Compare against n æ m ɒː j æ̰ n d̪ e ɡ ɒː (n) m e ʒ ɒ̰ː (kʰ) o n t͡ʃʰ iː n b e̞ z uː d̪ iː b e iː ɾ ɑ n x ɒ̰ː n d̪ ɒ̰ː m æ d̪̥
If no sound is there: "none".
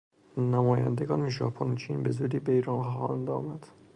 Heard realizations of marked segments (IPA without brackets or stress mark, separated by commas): n, pʰ